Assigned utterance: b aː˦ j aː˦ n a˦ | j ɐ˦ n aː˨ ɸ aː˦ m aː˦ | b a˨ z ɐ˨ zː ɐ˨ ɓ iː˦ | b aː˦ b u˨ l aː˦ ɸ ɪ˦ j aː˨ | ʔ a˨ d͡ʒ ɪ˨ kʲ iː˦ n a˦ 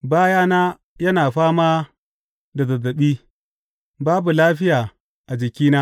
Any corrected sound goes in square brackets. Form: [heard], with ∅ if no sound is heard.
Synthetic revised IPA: b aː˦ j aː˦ n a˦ | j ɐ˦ n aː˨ ɸ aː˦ m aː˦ | [d] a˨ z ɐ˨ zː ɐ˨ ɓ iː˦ | b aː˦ b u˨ l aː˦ ɸ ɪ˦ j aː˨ | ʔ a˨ d͡ʒ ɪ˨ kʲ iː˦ n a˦